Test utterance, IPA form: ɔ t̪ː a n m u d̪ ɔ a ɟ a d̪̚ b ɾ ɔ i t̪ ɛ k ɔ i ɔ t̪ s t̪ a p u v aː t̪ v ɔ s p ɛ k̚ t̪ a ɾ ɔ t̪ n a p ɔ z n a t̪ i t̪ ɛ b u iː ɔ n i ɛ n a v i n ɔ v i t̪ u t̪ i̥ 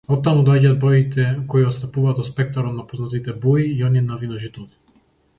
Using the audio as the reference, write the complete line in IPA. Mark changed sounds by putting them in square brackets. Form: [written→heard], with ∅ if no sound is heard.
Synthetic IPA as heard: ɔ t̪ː a [n→∅] m u d̪ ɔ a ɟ a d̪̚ b ɾ ɔ i t̪ ɛ k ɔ i ɔ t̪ s t̪ a p u v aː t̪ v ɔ s p ɛ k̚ t̪ a ɾ ɔ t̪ n a p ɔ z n a t̪ i t̪ ɛ b u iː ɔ n i ɛ n a v i n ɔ [v→ʒ] i t̪ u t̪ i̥